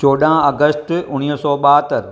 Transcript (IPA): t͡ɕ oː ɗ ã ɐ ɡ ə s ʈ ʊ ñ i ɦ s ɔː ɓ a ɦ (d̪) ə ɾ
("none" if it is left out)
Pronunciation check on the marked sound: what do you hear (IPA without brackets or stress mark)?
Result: t̪